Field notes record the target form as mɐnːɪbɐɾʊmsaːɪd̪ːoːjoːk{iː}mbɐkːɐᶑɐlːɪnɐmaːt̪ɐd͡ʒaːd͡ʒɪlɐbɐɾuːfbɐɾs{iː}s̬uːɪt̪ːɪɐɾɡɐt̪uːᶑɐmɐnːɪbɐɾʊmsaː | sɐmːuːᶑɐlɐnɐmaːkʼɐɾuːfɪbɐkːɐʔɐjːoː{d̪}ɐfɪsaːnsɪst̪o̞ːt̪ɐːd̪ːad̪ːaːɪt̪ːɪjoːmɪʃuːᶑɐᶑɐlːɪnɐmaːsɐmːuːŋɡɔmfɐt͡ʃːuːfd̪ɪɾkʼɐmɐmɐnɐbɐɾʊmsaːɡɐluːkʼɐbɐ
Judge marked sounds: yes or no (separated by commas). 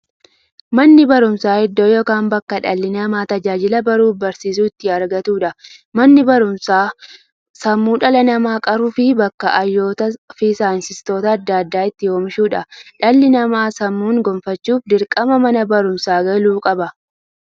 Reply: no, yes, no